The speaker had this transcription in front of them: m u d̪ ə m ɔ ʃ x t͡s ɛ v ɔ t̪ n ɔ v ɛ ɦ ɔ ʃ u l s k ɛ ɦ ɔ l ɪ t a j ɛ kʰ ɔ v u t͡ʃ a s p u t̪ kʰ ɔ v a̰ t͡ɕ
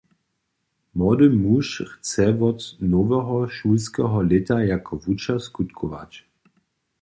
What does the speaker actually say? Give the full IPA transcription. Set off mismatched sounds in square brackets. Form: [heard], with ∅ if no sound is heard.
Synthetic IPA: m [ɔ] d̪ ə m [u] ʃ x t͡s ɛ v ɔ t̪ n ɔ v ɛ ɦ ɔ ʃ u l s k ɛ ɦ ɔ l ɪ t a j [a] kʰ ɔ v u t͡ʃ a s [k] u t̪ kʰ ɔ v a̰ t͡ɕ